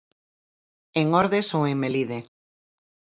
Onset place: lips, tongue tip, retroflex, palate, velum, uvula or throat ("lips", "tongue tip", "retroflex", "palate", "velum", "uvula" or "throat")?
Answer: velum